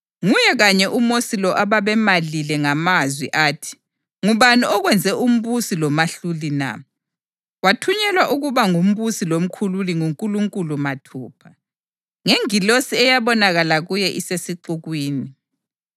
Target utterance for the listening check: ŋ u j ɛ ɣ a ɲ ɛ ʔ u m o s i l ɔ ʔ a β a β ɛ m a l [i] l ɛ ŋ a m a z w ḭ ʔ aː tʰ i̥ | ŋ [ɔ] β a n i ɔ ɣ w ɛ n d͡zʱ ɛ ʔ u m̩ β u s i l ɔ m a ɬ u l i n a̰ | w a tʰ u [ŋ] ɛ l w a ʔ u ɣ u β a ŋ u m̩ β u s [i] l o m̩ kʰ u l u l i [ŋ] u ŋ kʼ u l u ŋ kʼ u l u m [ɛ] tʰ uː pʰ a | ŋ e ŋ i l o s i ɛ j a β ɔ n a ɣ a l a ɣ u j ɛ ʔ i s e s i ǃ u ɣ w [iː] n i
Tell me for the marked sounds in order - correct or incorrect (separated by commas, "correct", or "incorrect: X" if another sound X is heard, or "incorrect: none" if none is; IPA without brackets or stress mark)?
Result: correct, incorrect: u, incorrect: ɲ, correct, correct, incorrect: a, correct